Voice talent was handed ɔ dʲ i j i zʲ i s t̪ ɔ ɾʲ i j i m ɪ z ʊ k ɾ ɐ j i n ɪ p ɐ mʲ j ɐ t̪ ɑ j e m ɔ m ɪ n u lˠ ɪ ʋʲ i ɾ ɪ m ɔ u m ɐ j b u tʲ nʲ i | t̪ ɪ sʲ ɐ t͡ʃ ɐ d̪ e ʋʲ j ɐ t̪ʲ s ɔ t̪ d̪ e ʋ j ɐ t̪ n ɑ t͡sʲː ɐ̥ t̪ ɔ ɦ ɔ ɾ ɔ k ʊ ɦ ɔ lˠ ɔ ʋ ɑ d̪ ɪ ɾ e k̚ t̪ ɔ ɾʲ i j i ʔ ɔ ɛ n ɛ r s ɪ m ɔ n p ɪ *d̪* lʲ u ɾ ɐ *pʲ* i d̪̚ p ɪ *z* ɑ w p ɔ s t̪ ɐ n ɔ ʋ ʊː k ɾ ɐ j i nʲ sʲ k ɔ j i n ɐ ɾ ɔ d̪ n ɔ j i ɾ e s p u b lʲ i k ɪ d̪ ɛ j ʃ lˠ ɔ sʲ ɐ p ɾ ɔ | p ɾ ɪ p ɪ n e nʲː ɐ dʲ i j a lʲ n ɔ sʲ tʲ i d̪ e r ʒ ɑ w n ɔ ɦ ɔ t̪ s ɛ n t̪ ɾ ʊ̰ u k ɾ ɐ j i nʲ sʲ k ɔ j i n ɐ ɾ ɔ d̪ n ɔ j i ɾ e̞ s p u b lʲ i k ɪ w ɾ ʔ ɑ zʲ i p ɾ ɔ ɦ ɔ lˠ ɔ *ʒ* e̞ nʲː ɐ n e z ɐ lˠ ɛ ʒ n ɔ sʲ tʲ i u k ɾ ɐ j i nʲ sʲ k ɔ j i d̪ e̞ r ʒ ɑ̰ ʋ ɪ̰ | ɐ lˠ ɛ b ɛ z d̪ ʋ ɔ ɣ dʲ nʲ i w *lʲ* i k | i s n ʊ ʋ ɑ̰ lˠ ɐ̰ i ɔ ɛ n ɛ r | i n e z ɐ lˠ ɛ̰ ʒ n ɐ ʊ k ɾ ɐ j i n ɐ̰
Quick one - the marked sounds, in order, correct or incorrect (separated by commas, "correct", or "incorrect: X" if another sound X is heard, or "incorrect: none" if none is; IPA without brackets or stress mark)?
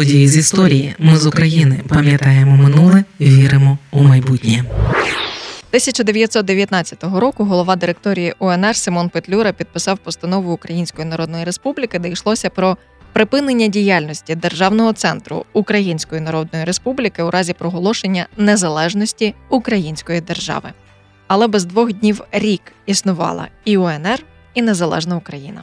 incorrect: t̪, correct, incorrect: s, incorrect: ʃ, incorrect: ɾʲ